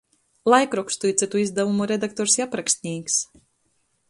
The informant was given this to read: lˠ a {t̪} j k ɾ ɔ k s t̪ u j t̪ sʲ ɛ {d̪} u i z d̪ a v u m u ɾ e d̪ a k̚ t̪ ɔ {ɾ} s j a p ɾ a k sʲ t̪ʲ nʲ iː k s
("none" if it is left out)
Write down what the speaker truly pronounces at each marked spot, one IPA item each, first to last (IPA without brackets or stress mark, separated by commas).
none, t̪, ɾ